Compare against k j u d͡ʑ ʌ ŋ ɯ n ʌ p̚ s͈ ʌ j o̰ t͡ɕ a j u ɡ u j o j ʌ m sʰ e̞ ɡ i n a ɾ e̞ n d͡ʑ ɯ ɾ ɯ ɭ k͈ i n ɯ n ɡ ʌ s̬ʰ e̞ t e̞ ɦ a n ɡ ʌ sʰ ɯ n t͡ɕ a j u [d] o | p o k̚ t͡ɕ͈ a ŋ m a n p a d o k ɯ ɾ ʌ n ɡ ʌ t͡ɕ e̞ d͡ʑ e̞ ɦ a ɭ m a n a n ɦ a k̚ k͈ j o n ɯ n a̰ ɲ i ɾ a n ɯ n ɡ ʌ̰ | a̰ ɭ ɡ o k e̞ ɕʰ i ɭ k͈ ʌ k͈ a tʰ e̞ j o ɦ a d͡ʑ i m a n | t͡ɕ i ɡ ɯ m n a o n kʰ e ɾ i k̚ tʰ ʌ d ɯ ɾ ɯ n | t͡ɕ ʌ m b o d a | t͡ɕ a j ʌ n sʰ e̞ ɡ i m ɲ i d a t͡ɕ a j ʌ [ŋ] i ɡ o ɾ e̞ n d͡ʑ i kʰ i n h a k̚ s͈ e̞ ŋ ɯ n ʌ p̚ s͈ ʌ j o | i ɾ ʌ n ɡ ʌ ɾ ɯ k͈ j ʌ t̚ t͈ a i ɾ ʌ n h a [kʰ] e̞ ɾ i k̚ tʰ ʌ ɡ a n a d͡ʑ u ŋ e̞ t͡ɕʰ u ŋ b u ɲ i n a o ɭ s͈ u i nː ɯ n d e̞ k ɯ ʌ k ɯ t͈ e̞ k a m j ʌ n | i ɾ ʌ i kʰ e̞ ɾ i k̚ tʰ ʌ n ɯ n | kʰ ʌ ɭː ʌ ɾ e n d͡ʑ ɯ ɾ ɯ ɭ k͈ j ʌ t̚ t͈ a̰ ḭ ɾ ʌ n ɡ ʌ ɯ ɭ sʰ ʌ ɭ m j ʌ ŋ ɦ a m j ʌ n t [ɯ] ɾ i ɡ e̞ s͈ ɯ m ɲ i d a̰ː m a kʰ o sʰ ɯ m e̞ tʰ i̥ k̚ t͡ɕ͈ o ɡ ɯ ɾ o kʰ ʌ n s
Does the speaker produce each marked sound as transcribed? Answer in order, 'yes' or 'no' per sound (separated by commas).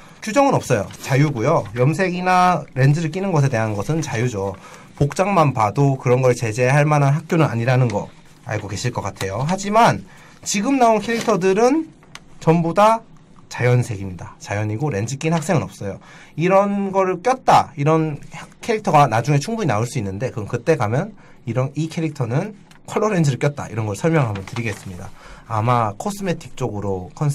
no, no, yes, yes